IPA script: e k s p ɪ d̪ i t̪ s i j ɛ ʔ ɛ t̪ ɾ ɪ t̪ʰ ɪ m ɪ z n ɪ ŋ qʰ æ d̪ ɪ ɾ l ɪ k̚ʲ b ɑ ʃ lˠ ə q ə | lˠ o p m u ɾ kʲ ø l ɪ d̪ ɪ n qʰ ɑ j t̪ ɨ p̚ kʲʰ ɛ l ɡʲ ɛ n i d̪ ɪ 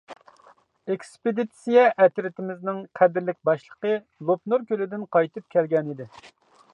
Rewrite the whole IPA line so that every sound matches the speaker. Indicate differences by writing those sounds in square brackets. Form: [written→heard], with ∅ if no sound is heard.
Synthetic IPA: e k s p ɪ d̪ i t̪ s i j ɛ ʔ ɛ t̪ ɾ ɪ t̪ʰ ɪ m ɪ z n ɪ ŋ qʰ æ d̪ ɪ ɾ l ɪ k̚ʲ b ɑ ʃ lˠ ə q ə | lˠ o p [m→n] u ɾ kʲ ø l ɪ d̪ ɪ n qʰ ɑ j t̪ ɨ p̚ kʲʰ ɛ l ɡʲ ɛ n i d̪ ɪ